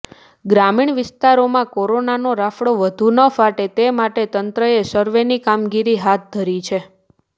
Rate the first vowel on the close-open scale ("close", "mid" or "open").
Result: open